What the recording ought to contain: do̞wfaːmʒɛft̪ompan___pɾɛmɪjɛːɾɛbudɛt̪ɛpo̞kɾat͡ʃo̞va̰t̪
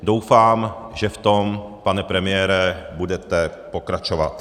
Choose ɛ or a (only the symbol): ɛ